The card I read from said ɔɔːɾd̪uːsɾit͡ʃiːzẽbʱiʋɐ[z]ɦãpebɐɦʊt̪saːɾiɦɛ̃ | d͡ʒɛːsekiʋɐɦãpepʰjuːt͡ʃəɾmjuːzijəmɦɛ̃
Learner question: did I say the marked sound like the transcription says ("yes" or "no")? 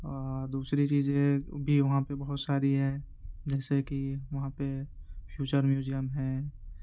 no